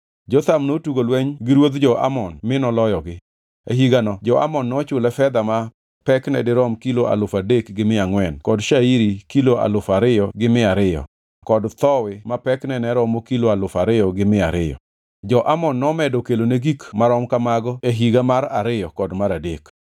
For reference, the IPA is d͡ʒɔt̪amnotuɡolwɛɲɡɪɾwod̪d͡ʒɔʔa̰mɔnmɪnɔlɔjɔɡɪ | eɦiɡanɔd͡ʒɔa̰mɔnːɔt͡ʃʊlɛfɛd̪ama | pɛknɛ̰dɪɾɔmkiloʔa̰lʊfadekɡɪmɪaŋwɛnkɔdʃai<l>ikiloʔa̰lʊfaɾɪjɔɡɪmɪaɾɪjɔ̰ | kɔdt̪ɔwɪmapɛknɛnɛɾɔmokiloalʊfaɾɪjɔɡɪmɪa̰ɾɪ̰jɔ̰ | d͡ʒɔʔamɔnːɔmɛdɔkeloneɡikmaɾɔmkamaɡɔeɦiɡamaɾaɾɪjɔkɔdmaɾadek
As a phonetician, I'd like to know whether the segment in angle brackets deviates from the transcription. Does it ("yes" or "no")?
yes